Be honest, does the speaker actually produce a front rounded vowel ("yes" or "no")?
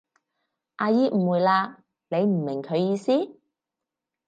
no